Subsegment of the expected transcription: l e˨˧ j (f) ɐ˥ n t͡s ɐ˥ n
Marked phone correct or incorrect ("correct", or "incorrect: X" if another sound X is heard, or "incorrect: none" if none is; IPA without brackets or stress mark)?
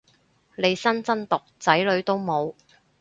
incorrect: s